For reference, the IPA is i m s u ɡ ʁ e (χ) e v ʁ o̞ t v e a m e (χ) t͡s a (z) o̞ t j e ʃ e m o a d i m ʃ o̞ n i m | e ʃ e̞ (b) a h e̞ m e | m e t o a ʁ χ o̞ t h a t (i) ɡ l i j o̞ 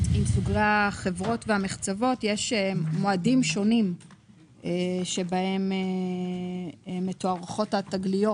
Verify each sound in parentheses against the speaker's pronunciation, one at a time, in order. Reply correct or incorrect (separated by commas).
correct, correct, incorrect, correct, incorrect